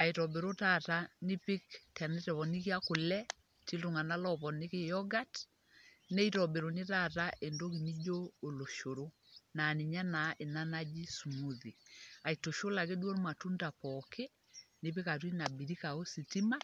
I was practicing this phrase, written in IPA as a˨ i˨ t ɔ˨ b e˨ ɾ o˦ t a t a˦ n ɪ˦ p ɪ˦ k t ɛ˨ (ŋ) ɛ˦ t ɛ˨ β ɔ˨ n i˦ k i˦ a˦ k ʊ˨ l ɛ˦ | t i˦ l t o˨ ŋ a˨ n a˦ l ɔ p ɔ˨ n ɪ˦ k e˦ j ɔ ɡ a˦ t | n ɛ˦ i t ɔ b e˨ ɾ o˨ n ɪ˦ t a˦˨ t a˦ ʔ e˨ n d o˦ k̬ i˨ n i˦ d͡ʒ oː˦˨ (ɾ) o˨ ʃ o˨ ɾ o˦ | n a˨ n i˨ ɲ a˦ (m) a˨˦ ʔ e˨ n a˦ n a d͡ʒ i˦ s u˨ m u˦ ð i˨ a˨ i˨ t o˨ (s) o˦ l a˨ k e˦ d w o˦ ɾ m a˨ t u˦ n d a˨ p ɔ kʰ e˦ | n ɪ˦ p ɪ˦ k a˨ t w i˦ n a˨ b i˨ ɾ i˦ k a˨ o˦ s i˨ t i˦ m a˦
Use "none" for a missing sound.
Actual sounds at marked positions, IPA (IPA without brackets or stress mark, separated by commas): n, l, n, ʃ